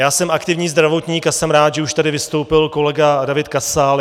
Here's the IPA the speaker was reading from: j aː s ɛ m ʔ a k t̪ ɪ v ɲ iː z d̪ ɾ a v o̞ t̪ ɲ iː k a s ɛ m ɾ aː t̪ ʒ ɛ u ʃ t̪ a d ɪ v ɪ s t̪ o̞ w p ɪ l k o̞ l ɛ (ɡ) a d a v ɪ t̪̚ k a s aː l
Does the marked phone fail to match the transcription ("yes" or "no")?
no